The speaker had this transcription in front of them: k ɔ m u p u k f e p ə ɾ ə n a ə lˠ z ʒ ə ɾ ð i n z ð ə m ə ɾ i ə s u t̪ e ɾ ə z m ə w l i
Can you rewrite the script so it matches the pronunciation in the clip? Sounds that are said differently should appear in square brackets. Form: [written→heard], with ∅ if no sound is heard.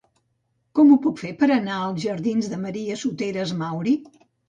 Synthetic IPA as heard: k ɔ m u p u k f e p ə ɾ ə n a ə lˠ z ʒ ə ɾ ð i n z ð ə m ə ɾ i ə s u t̪ e ɾ ə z m [ə→a] w [l→ɾ] i